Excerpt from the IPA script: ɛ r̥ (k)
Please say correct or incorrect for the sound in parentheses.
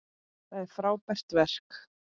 correct